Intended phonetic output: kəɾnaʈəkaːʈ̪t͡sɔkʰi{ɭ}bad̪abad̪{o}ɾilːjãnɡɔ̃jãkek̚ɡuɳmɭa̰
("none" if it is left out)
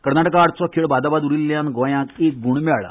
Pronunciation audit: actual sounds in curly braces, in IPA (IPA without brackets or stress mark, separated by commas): ɭ, u